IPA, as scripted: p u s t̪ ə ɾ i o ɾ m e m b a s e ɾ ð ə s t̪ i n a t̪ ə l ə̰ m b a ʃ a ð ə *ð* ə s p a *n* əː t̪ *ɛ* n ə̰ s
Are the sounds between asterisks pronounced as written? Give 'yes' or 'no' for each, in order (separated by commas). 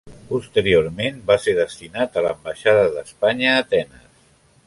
yes, no, yes